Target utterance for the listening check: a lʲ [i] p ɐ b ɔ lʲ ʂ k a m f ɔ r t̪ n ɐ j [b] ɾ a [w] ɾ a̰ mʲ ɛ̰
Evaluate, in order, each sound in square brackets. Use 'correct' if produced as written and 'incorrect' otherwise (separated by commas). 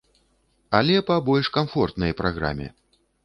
incorrect, incorrect, incorrect